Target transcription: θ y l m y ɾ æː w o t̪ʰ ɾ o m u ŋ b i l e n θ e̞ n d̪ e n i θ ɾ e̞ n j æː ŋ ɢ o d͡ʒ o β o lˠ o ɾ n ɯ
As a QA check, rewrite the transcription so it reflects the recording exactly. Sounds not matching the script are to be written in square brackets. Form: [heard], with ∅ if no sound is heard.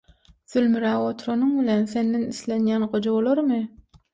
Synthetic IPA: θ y l m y ɾ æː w o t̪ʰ ɾ o [n] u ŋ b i l e n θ e̞ n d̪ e n i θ [l] e̞ n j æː [n] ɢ o d͡ʒ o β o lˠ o ɾ [m] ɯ